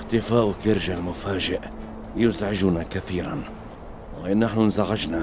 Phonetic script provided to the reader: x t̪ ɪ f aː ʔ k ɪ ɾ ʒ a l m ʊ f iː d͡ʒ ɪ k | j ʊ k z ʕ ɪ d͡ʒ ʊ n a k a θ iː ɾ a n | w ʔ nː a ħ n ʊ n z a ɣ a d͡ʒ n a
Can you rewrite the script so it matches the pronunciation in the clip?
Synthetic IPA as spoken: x t̪ ɪ f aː ʔ k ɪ ɾ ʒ a l m ʊ f aː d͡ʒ ɪ ʔ | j ʊ z ʕ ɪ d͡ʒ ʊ n a k a θ iː ɾ a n | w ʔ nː a ħ n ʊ n z a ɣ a d͡ʒ n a